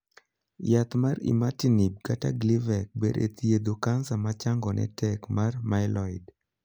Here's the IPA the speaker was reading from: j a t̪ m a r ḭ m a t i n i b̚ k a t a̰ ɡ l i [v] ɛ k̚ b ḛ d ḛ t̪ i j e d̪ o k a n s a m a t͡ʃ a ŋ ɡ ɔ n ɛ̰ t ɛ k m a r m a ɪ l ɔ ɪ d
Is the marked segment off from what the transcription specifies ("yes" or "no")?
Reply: no